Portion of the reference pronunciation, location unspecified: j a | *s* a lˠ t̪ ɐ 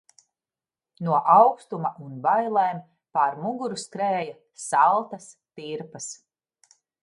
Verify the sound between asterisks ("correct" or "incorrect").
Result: correct